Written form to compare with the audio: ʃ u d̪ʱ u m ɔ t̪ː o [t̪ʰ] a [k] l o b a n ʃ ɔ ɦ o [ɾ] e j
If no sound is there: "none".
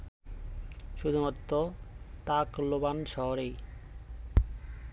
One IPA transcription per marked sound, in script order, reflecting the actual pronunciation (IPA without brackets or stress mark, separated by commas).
t̪, k, ɾ